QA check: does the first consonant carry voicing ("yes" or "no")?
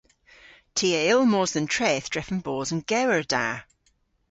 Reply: no